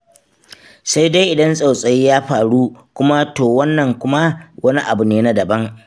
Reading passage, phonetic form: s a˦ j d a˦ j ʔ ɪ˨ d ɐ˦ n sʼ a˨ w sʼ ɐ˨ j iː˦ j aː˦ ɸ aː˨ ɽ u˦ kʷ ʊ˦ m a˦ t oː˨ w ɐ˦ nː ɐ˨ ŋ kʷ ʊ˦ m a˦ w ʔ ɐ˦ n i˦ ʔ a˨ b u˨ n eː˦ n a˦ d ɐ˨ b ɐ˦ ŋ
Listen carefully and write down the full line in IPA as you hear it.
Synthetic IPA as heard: s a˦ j d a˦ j ʔ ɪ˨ d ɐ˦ n sʼ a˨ w sʼ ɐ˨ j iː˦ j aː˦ ɸ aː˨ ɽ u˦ kʷ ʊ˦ m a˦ t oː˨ w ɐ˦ nː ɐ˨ ŋ kʷ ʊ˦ m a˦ w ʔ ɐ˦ n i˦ ʔ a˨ b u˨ n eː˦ n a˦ d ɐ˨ b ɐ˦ ŋ